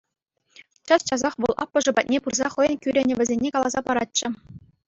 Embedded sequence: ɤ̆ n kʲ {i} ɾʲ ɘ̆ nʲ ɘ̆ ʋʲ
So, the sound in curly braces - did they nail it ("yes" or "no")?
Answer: no